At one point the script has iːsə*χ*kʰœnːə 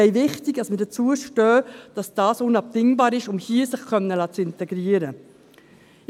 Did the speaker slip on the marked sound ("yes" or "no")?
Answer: no